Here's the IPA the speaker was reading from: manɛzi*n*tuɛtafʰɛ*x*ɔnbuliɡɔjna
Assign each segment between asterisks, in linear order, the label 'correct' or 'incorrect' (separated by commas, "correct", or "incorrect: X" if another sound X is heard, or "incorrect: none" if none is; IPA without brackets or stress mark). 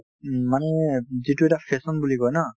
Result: incorrect: none, incorrect: s